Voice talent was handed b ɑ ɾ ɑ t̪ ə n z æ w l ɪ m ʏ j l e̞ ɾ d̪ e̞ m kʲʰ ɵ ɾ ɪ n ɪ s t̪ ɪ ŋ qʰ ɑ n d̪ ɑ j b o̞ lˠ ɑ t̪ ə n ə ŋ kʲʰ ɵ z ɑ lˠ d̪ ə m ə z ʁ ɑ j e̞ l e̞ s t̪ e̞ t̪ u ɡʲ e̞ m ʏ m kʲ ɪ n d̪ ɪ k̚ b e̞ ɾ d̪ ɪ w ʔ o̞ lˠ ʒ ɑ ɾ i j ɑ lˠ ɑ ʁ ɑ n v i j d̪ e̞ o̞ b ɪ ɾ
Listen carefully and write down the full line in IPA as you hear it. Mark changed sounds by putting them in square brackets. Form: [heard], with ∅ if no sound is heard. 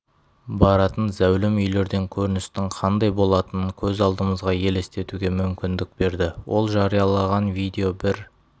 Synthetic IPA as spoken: b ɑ ɾ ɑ t̪ ə n z æ w l ɪ m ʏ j l e̞ ɾ d̪ e̞ [ŋ] kʲʰ ɵ ɾ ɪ n ɪ s t̪ ɪ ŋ qʰ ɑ n d̪ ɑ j b o̞ lˠ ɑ t̪ ə n ə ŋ kʲʰ ɵ z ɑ lˠ d̪ ə m ə z ʁ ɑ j e̞ l e̞ s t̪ e̞ t̪ u ɡʲ e̞ m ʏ m kʲ ɪ n d̪ ɪ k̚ b e̞ ɾ d̪ ɪ w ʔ o̞ lˠ ʒ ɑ ɾ i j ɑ lˠ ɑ ʁ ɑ n v i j d̪ e̞ o̞ b ɪ ɾ